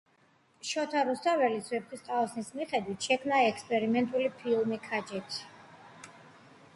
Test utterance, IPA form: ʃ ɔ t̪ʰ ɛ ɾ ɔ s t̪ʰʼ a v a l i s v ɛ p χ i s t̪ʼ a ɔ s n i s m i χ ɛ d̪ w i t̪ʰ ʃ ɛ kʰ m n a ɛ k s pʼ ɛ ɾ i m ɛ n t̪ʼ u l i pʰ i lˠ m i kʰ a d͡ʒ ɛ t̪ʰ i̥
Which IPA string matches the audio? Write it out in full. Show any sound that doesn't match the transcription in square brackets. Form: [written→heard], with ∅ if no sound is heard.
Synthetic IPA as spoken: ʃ ɔ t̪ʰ [ɛ→a] ɾ [ɔ→u] s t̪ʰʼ a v [a→ɛ] l i s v ɛ p χ i s t̪ʼ a ɔ s n i s m i χ ɛ d̪ w i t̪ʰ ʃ ɛ kʰ m n a ɛ k s pʼ ɛ ɾ i m ɛ n t̪ʼ u l i pʰ i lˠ m i kʰ a d͡ʒ ɛ t̪ʰ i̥